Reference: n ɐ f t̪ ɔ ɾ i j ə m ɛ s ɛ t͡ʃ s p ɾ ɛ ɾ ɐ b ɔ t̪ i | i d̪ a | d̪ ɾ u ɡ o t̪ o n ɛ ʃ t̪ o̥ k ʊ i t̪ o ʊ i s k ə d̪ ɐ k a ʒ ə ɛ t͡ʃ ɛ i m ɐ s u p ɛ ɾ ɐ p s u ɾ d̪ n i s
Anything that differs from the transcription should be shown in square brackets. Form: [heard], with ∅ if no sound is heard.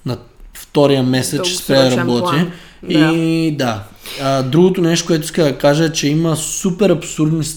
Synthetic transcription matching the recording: n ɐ f t̪ ɔ ɾ i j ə m ɛ s ɛ t͡ʃ s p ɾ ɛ ɾ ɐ b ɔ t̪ i | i d̪ a | d̪ ɾ u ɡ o t̪ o n ɛ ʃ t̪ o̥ k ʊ [ɛ] t̪ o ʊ i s k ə d̪ ɐ k a ʒ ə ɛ t͡ʃ ɛ i m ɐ s u p ɛ ɾ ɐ p s u ɾ d̪ n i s